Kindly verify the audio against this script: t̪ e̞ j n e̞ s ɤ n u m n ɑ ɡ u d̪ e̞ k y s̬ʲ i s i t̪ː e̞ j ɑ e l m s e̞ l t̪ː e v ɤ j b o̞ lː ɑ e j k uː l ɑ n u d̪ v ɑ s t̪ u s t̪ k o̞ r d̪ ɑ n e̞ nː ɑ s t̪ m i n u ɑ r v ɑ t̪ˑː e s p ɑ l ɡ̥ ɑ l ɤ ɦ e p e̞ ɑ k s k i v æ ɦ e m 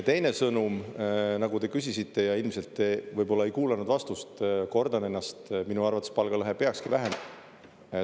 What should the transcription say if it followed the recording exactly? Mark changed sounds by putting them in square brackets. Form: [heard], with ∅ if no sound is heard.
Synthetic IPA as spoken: t̪ e̞ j n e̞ s ɤ n u m n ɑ ɡ u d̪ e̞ k y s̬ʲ i s i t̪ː e̞ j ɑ [i] l m s e̞ l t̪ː e v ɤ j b o̞ lː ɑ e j k uː l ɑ n u d̪ v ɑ s t̪ u s t̪ k o̞ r d̪ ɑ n e̞ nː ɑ s t̪ m i n u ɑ r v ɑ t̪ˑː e s p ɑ l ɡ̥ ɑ l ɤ ɦ e p e̞ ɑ k s k i v æ ɦ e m